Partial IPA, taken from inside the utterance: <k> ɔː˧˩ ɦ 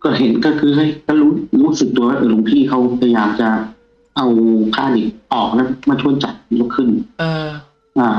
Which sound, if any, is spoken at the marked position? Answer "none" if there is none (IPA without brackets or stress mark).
k